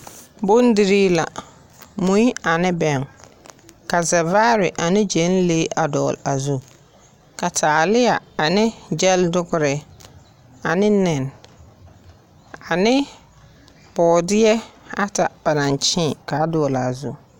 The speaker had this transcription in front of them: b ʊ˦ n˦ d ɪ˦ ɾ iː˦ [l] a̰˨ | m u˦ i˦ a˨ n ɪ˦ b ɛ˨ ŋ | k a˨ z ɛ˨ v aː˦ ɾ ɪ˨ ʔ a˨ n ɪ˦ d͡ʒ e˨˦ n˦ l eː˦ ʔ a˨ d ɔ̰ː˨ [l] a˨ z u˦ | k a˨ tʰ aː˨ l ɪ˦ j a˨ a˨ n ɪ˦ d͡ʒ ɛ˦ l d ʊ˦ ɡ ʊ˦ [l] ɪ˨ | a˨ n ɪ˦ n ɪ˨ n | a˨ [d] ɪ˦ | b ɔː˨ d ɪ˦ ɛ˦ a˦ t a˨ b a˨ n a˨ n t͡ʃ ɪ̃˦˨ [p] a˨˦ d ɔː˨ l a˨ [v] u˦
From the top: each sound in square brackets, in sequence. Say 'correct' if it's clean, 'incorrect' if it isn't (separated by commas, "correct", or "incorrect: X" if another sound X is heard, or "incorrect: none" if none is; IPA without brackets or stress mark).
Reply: correct, correct, incorrect: ɾ, incorrect: n, incorrect: k, incorrect: z